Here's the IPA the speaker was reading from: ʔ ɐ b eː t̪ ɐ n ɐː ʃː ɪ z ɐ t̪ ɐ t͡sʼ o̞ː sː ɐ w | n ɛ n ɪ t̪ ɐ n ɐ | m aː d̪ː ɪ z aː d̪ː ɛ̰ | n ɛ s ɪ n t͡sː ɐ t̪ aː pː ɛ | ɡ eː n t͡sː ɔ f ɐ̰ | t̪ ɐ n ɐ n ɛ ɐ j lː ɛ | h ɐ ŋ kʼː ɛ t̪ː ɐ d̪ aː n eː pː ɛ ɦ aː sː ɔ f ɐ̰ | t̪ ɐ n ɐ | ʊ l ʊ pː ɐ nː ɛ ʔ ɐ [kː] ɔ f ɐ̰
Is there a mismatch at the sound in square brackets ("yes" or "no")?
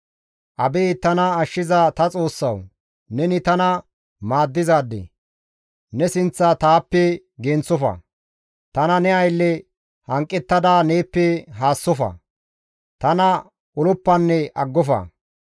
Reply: yes